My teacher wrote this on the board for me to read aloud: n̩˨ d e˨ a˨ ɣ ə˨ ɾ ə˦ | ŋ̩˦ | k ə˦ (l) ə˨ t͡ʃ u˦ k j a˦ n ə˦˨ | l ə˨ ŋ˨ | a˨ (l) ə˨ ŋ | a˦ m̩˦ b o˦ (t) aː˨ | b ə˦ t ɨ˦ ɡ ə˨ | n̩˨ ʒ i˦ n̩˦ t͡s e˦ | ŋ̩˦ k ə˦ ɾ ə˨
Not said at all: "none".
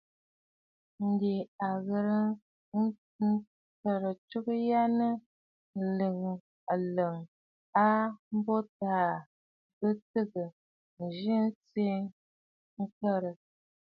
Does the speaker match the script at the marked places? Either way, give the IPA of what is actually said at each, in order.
ɾ, l, t

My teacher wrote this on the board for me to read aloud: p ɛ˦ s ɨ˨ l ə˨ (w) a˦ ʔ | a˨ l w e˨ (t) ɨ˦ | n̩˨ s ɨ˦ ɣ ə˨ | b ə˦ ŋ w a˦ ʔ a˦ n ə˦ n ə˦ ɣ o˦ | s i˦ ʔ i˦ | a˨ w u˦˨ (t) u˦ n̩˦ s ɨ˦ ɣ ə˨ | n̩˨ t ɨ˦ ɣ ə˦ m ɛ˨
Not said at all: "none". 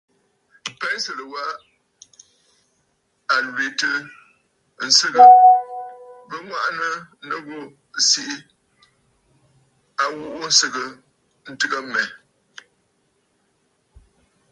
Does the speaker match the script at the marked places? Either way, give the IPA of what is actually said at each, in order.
w, t, ʔ

